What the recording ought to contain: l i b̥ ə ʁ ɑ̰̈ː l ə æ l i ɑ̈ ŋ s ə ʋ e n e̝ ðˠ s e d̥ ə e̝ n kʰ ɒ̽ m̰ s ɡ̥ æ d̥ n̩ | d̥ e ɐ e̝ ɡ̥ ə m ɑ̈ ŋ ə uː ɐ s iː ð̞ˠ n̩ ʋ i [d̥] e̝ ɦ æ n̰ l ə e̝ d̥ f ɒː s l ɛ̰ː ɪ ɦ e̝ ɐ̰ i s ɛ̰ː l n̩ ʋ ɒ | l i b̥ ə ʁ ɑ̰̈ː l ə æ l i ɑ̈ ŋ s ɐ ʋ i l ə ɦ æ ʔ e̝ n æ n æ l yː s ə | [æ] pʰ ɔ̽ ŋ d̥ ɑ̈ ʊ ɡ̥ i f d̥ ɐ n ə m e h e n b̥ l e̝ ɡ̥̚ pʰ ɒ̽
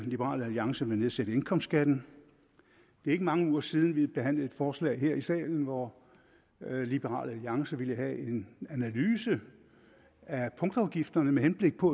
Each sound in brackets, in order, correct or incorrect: incorrect, correct

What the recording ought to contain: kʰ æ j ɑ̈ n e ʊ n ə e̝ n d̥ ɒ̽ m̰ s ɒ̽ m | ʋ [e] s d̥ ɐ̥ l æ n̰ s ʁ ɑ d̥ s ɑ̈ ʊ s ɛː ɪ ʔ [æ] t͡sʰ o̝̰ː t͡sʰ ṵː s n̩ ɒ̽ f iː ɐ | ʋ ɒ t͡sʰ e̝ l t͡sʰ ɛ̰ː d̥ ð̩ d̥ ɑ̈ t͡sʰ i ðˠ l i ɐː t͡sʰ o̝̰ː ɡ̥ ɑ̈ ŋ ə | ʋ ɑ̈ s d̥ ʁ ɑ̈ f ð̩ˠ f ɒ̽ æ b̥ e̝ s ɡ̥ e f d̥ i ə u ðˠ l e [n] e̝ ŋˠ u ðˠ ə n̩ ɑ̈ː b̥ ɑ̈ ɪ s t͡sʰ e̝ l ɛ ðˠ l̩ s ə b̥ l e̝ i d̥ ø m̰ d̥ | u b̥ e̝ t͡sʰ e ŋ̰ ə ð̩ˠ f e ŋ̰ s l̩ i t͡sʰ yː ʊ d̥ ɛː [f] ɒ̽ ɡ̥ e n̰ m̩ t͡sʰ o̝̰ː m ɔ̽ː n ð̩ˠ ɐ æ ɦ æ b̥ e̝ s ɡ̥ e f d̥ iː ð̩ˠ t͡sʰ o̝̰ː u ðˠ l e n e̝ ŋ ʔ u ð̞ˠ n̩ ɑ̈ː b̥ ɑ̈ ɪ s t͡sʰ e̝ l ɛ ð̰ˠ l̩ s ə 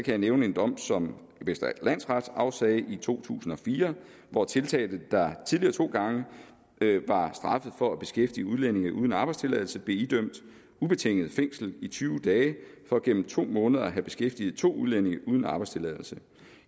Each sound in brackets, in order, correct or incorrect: correct, incorrect, correct, correct

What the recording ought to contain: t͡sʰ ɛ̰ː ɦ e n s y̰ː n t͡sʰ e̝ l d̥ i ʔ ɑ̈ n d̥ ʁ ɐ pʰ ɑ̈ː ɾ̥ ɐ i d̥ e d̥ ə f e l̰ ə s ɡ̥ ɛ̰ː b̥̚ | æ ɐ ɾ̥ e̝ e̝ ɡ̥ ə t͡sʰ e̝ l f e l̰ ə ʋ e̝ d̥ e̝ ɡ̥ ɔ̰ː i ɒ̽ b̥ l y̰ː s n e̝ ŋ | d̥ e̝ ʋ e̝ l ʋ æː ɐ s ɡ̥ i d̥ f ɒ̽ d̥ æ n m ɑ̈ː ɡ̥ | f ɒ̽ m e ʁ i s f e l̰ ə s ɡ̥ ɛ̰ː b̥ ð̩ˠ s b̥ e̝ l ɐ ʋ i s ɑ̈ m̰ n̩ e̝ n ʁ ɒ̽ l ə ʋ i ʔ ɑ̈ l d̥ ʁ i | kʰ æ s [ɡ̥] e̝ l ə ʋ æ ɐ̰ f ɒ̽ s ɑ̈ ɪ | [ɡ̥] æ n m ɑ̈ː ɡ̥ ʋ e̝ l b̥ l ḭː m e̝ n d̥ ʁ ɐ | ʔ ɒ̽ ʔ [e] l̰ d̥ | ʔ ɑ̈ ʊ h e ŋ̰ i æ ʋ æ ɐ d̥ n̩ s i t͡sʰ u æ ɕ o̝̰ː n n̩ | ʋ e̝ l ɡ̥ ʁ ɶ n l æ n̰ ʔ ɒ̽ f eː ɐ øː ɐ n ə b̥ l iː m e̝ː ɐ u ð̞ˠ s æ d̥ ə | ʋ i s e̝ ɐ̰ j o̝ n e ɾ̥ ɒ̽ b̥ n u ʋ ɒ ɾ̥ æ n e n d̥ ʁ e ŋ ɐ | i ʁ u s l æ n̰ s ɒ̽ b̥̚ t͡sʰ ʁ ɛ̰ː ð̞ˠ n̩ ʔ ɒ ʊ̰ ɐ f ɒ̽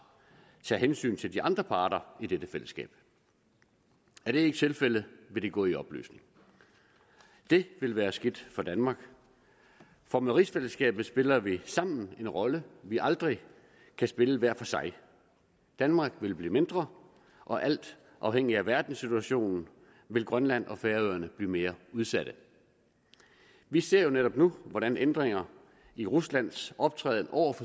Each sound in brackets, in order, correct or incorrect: incorrect, incorrect, incorrect

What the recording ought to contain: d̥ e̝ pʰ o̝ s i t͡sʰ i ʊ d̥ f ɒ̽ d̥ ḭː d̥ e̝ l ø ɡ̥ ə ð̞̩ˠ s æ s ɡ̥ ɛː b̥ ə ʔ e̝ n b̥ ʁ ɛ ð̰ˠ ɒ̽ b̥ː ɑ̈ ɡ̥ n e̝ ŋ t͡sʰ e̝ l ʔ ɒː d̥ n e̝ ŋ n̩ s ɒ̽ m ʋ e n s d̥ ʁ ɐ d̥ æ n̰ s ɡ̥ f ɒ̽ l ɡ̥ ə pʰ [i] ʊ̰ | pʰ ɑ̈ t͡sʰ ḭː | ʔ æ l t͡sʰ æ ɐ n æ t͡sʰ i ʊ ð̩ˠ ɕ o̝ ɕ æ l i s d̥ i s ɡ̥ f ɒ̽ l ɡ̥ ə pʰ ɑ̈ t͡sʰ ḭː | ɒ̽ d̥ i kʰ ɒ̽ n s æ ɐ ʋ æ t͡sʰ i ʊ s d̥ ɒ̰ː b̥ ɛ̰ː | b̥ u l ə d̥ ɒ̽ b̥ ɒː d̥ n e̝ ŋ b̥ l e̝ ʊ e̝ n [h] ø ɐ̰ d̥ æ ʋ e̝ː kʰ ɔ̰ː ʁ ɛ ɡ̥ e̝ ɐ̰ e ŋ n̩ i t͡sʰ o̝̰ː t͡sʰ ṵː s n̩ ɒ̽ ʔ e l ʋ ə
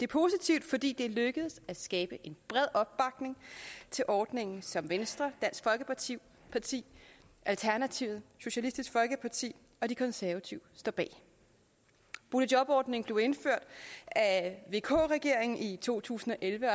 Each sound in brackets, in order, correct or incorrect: correct, incorrect

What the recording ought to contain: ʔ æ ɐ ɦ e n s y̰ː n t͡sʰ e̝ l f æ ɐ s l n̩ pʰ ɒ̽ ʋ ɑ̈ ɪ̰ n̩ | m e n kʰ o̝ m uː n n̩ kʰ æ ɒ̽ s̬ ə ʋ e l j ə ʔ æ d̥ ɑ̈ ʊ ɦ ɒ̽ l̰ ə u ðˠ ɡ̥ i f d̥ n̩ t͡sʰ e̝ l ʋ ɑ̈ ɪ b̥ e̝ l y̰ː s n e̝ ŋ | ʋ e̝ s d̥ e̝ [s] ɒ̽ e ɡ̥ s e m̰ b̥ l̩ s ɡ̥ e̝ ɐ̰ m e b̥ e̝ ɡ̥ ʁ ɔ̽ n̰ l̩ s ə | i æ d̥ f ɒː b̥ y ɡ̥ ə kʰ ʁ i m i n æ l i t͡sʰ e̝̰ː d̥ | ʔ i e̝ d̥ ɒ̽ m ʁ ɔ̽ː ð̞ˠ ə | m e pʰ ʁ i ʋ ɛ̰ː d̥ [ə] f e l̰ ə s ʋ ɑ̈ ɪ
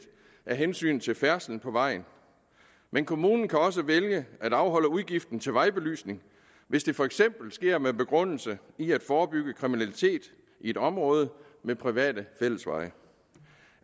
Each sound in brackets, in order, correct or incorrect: incorrect, correct

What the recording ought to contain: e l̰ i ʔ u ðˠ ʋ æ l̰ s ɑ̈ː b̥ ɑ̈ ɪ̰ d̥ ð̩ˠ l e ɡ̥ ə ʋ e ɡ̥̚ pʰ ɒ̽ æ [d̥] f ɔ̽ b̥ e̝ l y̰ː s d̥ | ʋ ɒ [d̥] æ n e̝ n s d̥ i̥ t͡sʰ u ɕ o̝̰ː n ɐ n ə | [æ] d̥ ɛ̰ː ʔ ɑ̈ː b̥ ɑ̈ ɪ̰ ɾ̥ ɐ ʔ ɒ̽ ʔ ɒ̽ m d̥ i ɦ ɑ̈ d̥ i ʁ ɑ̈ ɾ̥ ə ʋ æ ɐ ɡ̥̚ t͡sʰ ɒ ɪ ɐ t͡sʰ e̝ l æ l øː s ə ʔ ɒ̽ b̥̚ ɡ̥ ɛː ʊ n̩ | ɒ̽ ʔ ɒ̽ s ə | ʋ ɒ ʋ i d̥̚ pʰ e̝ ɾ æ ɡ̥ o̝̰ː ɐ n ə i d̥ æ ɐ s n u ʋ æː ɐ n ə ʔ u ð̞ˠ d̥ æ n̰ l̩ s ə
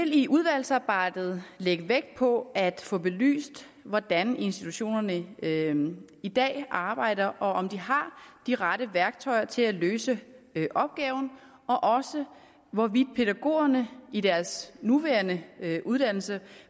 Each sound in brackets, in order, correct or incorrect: correct, correct, incorrect

